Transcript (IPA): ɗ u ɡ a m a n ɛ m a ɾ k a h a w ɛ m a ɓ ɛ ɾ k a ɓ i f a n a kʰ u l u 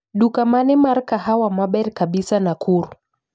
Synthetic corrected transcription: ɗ u k a m a n ɛ m a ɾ k a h a w a m a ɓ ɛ ɾ k a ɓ i s a n a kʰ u ɾ u